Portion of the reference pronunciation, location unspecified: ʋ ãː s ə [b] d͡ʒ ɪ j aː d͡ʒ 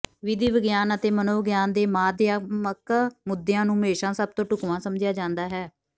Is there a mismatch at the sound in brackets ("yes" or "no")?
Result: yes